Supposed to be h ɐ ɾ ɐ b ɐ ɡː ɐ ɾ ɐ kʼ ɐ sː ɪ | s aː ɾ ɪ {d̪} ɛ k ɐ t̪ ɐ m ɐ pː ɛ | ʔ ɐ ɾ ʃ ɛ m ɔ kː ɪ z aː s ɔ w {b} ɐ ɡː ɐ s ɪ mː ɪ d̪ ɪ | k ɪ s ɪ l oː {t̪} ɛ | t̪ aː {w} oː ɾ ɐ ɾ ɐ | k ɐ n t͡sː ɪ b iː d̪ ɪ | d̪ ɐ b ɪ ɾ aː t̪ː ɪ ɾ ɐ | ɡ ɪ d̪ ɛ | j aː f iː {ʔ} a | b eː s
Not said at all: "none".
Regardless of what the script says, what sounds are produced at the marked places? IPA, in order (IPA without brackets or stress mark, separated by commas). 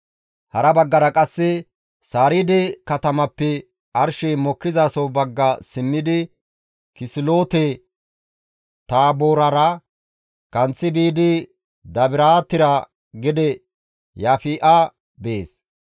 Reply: d̪, b, t̪, b, ʔ